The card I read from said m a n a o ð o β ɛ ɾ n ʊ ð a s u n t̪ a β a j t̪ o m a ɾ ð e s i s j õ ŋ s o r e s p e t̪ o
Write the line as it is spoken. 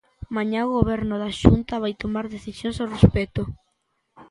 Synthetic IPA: m a ɲ a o ɣ o β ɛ ɾ n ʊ ð a ʃ u n t̪ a β a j t̪ o m a ɾ ð e θ i s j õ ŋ s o r e s p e t̪ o